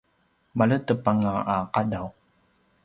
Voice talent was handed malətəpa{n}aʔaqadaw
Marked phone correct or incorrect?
incorrect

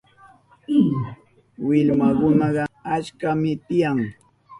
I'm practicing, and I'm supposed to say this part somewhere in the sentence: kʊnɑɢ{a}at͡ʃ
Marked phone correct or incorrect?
incorrect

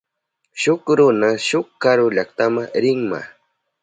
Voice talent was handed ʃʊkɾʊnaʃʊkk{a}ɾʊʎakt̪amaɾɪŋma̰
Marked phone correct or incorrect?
correct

